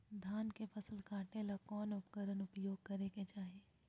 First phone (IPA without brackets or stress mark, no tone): d̪ʱ